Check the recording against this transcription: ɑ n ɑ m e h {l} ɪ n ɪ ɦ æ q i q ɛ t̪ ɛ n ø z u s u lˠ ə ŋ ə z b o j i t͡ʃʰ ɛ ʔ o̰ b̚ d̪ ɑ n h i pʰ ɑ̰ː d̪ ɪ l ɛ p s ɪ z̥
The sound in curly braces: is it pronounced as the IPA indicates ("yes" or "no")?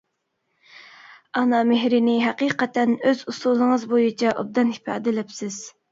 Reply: no